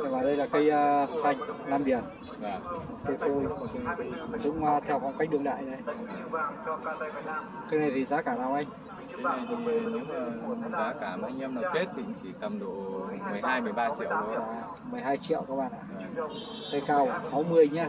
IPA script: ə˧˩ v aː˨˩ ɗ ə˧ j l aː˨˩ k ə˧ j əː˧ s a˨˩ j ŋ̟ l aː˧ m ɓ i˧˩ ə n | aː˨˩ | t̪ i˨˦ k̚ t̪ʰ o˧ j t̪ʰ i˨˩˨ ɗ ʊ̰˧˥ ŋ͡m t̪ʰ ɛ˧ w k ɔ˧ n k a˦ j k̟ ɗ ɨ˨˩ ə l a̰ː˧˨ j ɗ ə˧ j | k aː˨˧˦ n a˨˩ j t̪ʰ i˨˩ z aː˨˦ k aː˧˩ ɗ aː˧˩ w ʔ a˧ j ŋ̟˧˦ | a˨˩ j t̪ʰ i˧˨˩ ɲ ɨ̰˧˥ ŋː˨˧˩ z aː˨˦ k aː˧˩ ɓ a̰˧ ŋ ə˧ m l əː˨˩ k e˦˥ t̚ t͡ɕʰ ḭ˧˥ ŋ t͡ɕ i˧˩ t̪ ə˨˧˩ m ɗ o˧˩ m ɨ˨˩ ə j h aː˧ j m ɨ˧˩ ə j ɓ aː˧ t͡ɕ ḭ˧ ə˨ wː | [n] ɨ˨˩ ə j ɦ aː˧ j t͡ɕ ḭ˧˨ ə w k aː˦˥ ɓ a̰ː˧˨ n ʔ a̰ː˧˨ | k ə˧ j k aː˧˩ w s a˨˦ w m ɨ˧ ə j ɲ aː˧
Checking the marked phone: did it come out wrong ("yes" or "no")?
yes